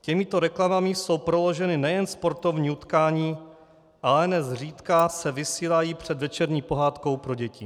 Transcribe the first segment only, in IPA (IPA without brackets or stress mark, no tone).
c